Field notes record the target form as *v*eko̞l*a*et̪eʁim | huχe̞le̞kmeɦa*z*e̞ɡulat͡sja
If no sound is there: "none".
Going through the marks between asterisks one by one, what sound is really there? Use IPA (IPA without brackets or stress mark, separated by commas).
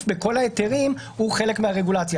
b, a, ʁ